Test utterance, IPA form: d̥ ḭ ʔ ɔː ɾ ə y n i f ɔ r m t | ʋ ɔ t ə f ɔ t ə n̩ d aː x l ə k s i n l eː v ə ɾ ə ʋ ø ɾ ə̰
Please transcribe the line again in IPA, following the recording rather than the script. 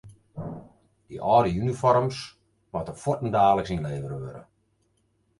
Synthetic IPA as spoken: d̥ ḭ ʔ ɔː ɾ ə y n i f ɔ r m s | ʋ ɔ t ə f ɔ t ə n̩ d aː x l ə k s i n l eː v ə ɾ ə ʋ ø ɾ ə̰